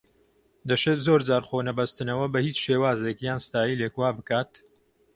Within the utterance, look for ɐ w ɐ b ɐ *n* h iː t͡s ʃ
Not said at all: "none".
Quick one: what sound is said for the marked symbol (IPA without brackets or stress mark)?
none